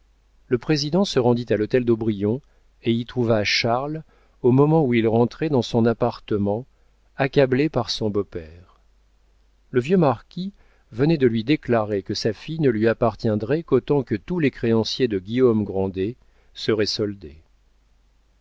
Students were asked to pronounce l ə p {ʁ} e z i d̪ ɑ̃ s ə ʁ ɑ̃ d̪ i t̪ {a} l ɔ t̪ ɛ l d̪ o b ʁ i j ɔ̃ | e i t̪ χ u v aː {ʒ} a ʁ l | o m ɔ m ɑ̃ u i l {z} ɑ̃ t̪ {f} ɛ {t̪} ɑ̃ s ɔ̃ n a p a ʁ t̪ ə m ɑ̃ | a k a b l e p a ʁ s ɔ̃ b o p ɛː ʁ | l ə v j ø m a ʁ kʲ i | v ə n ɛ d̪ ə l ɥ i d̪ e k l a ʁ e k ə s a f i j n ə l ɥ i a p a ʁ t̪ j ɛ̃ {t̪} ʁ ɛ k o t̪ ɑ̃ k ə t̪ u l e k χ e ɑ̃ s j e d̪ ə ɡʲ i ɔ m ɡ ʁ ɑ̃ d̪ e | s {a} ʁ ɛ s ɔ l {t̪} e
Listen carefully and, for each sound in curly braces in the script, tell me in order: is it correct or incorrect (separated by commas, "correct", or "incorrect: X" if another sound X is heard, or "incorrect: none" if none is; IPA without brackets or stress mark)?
incorrect: χ, correct, incorrect: ʃ, incorrect: ʁ, incorrect: χ, incorrect: d̪, incorrect: d̪, incorrect: ə, incorrect: d̪